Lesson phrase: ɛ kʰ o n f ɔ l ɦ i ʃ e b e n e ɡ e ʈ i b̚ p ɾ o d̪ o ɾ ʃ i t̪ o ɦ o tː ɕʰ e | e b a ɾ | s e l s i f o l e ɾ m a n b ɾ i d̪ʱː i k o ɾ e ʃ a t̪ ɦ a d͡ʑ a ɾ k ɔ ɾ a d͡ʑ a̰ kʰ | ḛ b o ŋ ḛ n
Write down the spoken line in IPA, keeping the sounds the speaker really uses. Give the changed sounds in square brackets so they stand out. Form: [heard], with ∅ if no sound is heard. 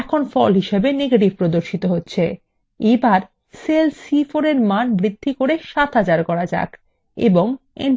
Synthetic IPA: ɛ kʰ o n f ɔ l ɦ i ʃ e b e n e ɡ e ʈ i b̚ p ɾ o d̪ o ɾ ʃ i t̪ o ɦ o tː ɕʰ e | e b a ɾ | s e l s i f o [ɾ] e ɾ m a n b ɾ i d̪ʱː i k o ɾ e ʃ a t̪ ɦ a d͡ʑ a ɾ k ɔ ɾ a d͡ʑ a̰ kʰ | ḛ b o ŋ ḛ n